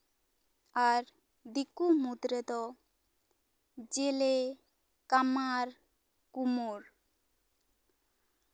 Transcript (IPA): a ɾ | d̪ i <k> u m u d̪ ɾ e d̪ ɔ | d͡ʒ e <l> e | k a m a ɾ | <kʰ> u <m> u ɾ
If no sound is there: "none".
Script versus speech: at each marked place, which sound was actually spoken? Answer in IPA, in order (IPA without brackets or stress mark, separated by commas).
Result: k, l, k, m